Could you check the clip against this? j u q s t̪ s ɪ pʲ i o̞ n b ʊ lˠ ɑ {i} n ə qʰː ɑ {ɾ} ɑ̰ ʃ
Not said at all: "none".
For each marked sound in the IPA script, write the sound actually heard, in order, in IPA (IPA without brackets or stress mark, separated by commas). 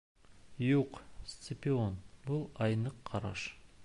j, ɾ